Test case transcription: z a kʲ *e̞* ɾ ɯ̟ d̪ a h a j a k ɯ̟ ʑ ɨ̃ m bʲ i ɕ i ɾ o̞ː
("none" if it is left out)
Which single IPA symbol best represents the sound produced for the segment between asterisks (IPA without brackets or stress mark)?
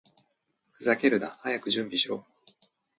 e̞